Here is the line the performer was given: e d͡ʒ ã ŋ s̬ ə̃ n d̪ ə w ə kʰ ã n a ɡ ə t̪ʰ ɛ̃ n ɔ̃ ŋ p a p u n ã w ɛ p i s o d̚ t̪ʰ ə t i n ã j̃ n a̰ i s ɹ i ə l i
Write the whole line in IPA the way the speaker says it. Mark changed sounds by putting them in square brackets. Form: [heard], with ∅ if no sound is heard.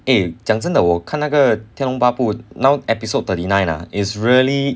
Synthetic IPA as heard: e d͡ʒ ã ŋ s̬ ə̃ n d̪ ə w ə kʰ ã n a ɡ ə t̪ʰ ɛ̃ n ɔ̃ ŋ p a p u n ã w ɛ p i s o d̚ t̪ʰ ə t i n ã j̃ n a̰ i s ɹ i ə l i